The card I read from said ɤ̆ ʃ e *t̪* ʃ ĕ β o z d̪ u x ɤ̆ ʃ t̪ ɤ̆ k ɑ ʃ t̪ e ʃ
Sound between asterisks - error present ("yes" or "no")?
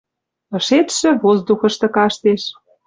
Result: no